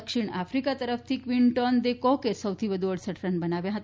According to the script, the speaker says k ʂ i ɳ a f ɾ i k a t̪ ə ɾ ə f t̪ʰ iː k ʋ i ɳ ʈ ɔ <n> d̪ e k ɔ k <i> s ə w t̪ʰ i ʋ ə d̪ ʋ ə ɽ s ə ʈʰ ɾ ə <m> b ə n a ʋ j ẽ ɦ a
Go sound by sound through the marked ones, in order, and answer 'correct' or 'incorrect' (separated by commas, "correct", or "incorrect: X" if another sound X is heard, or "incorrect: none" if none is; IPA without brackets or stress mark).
correct, incorrect: e, incorrect: n